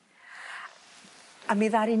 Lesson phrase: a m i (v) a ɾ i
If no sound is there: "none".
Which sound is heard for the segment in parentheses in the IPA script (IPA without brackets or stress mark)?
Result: ð